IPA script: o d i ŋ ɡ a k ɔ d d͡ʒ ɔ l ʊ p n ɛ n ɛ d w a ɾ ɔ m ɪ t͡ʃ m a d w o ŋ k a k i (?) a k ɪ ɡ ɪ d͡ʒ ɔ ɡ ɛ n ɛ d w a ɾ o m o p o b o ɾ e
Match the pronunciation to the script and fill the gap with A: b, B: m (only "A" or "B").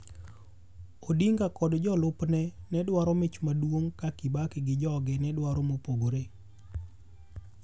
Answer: A